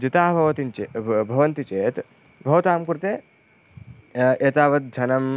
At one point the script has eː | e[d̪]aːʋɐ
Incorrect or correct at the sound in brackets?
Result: incorrect: t̪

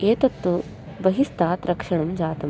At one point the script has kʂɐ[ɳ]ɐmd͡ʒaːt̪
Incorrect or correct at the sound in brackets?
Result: correct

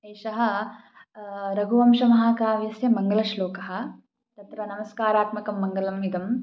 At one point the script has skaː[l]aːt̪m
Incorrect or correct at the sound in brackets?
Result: incorrect: ɾ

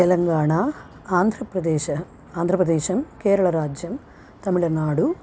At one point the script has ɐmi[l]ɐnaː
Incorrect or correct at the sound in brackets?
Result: incorrect: ɭ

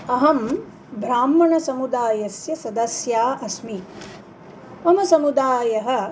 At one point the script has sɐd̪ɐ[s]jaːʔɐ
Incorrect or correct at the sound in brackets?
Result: correct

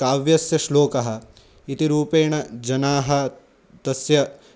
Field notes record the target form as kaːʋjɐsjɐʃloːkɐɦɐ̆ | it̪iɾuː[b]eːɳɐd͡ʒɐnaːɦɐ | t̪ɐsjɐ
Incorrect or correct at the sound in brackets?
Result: incorrect: p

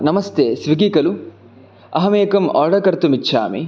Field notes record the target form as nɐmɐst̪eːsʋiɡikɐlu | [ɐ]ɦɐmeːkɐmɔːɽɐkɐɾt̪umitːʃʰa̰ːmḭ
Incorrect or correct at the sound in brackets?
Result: correct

